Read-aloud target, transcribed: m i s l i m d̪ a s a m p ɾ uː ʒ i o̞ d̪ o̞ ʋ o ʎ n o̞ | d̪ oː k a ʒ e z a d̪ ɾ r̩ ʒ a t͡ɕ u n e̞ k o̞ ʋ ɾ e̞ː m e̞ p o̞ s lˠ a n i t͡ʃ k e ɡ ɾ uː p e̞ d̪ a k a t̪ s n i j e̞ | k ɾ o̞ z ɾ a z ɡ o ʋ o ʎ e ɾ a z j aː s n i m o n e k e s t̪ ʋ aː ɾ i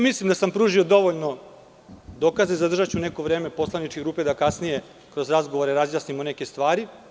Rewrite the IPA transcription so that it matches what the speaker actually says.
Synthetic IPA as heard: m i s l i m d̪ a s a m p ɾ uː ʒ i o̞ d̪ o̞ ʋ o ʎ n o̞ | d̪ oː k a z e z a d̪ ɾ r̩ ʒ a t͡ɕ u n e̞ k o̞ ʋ ɾ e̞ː m e̞ p o̞ s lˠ a n i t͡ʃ k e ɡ ɾ uː p e̞ d̪ a k a s n i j e̞ | k ɾ o̞ z ɾ a z ɡ o ʋ o ɾ e ɾ a z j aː s n i m o n e k e s t̪ ʋ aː ɾ i